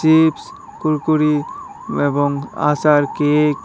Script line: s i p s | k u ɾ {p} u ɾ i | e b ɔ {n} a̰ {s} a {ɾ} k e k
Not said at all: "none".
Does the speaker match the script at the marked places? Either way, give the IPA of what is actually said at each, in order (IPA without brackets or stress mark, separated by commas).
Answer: k, ŋ, s, ɾ